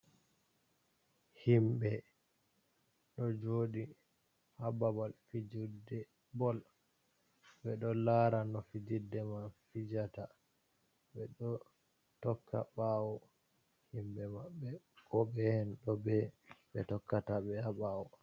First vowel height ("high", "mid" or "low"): high